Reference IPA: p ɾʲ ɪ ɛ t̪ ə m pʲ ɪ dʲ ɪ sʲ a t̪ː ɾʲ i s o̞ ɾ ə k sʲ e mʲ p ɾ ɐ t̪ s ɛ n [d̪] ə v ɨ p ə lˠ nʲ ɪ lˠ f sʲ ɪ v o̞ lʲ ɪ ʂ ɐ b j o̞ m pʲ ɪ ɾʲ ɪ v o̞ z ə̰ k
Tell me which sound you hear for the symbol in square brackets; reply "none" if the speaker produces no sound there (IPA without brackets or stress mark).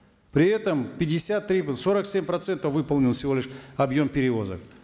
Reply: t̪